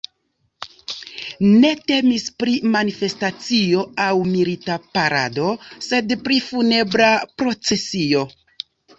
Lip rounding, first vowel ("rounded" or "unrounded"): unrounded